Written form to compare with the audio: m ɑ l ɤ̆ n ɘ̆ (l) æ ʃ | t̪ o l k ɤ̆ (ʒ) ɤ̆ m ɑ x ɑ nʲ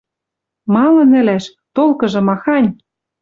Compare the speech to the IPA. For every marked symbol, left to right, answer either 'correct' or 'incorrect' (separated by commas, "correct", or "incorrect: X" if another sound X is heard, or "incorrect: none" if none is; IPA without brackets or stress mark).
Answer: correct, correct